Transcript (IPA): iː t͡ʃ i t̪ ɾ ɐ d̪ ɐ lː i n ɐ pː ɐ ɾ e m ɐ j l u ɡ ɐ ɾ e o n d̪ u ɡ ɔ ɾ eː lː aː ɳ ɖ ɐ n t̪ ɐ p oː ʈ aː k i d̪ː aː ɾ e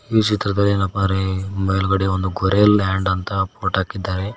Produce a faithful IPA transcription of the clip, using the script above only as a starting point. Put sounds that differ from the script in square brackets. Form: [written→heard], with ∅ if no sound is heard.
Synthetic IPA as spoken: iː t͡ʃ i t̪ ɾ ɐ d̪ ɐ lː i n ɐ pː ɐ ɾ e m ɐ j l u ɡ ɐ [ɾ→ɽ] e o n d̪ u ɡ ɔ ɾ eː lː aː ɳ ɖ ɐ n t̪ ɐ p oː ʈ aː k i d̪ː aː ɾ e